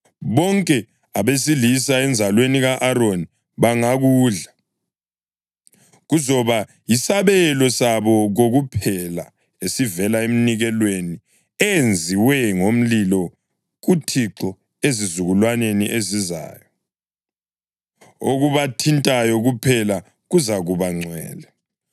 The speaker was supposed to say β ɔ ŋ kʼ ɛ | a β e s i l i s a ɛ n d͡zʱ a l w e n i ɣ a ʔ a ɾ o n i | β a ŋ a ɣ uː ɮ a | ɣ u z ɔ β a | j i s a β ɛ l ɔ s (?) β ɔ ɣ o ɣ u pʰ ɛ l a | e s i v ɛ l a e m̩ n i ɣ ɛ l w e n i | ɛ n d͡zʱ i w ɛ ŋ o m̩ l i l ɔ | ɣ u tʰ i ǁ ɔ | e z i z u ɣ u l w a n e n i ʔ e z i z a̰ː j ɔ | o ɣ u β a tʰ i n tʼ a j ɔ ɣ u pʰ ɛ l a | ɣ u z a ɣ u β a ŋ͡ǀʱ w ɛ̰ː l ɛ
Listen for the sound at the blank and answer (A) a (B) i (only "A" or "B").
A